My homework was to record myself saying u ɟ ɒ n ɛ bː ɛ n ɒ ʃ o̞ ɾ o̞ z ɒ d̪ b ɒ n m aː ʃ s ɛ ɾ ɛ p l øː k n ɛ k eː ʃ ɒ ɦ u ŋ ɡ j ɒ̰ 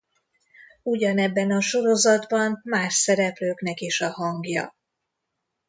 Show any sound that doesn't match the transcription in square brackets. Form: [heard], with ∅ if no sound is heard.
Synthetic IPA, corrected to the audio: u ɟ ɒ n ɛ bː ɛ n ɒ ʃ o̞ ɾ o̞ z ɒ d̪ b ɒ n m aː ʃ s ɛ ɾ ɛ p l øː k n ɛ k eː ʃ ɒ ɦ [ɒ] ŋ ɡ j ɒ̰